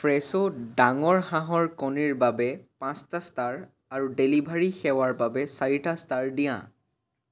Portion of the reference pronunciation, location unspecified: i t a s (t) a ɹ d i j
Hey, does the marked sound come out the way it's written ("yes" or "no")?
yes